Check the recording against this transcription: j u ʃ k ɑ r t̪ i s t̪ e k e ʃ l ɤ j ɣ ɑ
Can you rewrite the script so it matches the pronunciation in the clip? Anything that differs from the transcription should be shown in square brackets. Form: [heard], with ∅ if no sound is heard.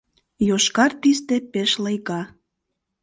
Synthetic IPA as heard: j [o] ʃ k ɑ r t̪ i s t̪ e [p] e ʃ l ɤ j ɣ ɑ